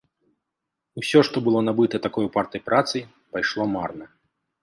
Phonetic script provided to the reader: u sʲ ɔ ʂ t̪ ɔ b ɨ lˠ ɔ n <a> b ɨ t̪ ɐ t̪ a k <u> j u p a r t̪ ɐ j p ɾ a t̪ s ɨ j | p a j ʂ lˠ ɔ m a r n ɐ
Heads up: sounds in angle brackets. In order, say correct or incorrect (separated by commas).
correct, incorrect